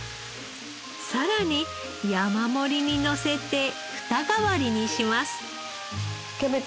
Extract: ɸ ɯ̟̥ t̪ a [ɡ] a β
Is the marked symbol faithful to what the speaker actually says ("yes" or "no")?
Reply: yes